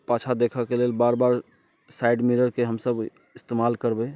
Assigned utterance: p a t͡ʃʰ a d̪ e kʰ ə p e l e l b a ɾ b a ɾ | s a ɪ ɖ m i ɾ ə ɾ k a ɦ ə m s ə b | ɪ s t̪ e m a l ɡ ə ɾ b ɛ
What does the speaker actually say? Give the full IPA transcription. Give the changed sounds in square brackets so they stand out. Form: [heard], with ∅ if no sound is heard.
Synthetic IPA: p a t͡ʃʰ a d̪ e kʰ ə [k] e l e l b a ɾ b a ɾ | s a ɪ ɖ m i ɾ ə ɾ k [e] ɦ ə m s ə b | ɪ s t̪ e m a l [k] ə ɾ b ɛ